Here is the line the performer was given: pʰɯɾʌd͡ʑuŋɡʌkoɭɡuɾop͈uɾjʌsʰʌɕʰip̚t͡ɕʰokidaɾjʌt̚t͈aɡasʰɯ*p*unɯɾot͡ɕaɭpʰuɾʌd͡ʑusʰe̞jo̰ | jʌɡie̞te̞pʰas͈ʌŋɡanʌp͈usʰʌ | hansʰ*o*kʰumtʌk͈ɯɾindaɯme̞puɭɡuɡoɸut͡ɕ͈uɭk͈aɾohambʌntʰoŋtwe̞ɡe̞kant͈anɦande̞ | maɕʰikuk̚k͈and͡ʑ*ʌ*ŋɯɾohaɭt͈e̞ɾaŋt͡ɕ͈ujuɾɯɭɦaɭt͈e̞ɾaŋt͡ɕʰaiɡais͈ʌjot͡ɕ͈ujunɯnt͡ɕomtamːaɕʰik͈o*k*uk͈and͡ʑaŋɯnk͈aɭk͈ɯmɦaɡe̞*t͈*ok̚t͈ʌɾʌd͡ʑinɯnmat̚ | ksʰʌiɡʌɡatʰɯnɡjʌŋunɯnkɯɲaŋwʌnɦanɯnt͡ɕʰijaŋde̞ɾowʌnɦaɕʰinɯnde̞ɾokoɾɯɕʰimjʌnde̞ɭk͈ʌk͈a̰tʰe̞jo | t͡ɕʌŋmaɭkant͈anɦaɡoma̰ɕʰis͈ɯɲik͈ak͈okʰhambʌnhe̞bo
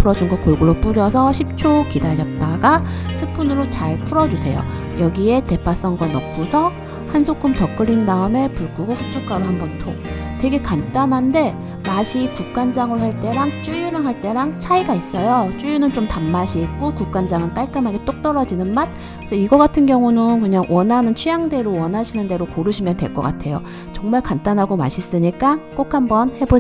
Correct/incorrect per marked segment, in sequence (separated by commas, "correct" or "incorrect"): incorrect, correct, incorrect, correct, correct